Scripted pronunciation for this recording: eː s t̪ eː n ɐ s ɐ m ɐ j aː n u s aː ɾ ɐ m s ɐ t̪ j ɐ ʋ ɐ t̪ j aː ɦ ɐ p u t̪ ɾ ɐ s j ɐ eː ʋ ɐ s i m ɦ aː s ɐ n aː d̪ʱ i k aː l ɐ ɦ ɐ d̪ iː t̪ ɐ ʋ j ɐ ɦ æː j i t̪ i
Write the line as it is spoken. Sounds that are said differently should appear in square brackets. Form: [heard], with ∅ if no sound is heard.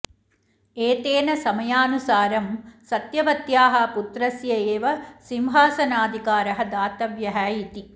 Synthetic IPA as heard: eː [∅] t̪ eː n ɐ s ɐ m ɐ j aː n u s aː ɾ ɐ m s ɐ t̪ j ɐ ʋ ɐ t̪ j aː ɦ ɐ p u t̪ ɾ ɐ s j ɐ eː ʋ ɐ s i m ɦ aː s ɐ n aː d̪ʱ i k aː [ɾ] ɐ ɦ ɐ d̪ [aː] t̪ ɐ ʋ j ɐ ɦ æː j i t̪ i